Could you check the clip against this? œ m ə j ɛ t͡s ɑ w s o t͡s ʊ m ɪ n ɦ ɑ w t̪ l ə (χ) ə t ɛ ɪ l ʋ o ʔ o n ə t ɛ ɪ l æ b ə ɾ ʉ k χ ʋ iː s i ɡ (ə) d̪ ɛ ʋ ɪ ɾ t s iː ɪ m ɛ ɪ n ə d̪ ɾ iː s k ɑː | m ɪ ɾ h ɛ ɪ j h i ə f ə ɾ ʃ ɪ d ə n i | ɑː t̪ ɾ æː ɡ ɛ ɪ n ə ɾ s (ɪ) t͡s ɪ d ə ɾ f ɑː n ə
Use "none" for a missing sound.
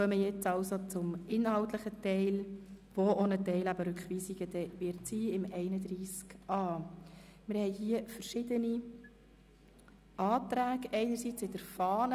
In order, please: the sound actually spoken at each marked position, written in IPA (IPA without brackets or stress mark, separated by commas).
χ, ə, i